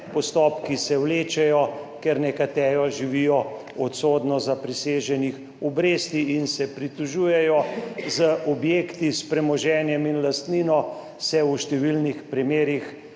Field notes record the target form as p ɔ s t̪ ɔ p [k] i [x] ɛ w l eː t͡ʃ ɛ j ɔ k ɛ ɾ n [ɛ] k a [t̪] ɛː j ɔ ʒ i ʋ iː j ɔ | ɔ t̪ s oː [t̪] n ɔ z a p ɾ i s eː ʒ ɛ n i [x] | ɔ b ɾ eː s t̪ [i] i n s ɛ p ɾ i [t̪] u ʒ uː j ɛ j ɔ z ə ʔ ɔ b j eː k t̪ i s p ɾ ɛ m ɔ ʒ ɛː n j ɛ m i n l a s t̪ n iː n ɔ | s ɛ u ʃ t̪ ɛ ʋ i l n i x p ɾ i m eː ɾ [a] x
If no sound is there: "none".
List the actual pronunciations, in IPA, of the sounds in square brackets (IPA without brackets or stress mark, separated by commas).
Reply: k, s, ɛ, t̪, d̪, x, i, t̪, i